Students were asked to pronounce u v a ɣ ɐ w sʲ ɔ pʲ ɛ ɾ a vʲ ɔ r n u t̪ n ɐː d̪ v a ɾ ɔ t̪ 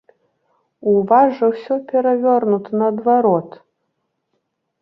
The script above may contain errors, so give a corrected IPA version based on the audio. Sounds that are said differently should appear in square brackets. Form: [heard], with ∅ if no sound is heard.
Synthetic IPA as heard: u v a [ʐ] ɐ w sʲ ɔ pʲ ɛ ɾ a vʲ ɔ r n u t̪ n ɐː d̪ v a ɾ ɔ t̪